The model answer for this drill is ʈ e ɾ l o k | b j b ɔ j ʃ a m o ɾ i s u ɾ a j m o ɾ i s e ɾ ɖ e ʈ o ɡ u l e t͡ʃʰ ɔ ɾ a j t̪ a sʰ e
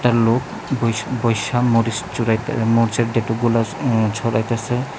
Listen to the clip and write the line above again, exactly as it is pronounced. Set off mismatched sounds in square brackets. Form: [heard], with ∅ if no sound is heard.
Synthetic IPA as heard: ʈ [a] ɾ l o k | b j b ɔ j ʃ a m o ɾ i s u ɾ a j m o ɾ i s e ɾ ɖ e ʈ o ɡ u l [a] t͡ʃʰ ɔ ɾ a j t̪ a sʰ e